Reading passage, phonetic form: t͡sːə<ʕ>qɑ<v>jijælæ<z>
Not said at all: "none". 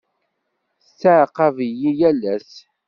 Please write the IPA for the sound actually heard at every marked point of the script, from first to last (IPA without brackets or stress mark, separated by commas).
ʕ, v, s